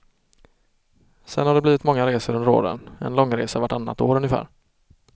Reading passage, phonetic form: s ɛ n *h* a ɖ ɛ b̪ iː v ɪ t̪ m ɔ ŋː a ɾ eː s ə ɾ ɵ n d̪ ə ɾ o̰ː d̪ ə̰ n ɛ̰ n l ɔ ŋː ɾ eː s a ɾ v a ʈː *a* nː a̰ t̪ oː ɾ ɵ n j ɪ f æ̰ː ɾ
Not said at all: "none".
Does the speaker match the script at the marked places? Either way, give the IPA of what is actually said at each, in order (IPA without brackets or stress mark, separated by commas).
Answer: h, a